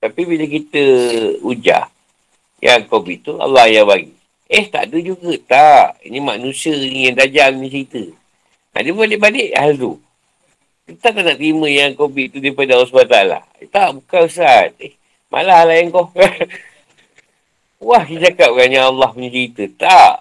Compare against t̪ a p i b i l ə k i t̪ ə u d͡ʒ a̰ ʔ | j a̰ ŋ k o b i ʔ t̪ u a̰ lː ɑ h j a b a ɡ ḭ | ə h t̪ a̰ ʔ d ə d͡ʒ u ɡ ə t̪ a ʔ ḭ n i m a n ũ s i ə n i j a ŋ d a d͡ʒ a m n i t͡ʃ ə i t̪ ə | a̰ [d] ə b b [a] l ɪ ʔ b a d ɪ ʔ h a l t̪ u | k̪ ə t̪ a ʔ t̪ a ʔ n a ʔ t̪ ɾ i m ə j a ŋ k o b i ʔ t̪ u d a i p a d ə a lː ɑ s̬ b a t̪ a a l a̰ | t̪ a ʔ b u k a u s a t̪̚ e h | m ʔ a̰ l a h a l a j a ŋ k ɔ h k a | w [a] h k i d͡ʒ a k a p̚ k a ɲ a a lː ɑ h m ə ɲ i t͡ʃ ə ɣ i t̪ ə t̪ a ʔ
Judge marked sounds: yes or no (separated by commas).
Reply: yes, yes, yes